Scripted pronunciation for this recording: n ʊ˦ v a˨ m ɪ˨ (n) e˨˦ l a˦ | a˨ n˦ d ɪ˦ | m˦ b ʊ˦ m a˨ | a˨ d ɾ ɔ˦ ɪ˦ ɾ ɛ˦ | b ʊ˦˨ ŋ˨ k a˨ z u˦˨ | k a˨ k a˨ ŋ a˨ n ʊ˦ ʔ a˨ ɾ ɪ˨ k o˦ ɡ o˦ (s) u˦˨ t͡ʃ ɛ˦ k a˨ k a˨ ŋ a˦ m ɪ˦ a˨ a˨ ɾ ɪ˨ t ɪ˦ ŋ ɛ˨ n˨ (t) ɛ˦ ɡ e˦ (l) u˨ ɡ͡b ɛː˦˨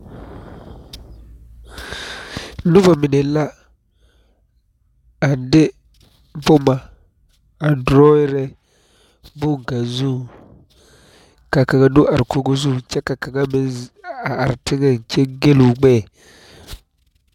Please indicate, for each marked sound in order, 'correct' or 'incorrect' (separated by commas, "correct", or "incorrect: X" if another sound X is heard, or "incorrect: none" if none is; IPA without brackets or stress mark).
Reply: correct, incorrect: z, incorrect: t͡ʃ, correct